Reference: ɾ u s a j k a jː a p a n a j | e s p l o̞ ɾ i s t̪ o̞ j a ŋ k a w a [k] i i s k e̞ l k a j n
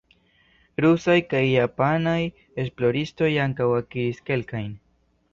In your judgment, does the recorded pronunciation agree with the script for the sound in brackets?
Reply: yes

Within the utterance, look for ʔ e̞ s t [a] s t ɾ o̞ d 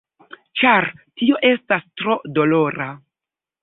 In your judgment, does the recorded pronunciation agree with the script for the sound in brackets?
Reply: yes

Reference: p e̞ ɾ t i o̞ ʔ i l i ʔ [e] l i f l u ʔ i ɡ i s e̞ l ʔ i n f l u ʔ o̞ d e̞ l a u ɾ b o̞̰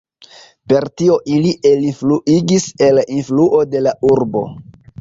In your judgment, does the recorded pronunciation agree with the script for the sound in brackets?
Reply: yes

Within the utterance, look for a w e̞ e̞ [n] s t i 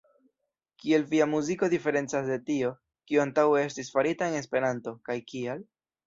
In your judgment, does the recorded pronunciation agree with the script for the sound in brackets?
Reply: no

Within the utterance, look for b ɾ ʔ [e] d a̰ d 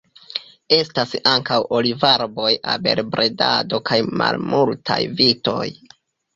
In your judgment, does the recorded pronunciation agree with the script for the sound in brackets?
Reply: yes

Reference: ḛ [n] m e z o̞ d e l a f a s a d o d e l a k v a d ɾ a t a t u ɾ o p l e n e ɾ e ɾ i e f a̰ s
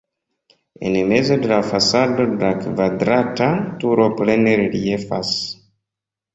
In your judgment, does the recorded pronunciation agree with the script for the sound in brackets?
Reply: yes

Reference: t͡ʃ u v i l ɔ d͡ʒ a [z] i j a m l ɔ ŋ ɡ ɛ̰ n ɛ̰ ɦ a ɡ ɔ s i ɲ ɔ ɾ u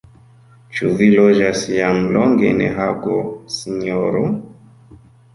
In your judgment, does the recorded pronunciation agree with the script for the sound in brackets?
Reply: no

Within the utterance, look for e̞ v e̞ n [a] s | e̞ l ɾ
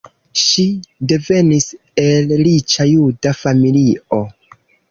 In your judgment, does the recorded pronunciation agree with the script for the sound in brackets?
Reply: no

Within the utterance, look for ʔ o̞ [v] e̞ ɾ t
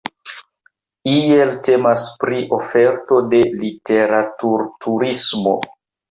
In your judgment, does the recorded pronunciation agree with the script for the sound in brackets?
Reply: no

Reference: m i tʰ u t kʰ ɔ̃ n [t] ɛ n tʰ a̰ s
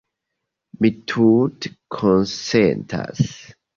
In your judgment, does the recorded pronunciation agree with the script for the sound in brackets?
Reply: no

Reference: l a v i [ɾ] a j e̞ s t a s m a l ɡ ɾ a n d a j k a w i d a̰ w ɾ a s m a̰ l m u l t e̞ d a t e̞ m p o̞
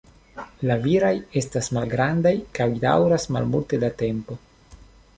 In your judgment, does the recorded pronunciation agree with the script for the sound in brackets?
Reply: yes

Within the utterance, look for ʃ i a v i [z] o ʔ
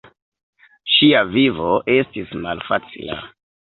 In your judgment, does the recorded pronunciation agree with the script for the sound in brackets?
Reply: no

